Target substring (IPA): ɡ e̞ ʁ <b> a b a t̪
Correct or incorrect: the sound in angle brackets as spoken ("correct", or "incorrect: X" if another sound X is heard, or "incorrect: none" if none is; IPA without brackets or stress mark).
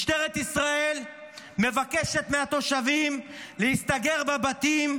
correct